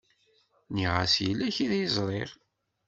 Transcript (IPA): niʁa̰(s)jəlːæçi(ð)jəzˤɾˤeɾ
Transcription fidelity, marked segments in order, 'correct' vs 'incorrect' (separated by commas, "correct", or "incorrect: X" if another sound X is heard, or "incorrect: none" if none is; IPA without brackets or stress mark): correct, correct